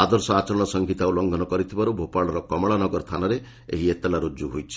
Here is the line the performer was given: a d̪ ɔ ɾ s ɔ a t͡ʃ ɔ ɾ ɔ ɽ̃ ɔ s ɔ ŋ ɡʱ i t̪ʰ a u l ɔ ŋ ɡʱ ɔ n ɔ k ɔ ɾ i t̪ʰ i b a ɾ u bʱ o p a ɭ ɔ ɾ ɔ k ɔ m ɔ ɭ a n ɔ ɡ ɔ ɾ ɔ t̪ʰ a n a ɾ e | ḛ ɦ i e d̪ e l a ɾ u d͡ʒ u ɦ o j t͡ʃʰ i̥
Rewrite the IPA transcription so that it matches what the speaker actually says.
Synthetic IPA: a d̪ ɔ ɾ s ɔ a t͡ʃ ɔ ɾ ɔ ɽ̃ ɔ s ɔ ŋ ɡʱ i t̪ a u l ɔ ŋ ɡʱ ɔ n ɔ k ɔ ɾ i t̪ʰ i b a ɾ u bʱ o p a ɭ ɔ ɾ ɔ k ɔ m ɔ ɭ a n ɔ ɡ ɔ ɾ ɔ t̪ʰ a n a ɾ e | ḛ ɦ i e t̪ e l a ɾ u d͡ʒ u ɦ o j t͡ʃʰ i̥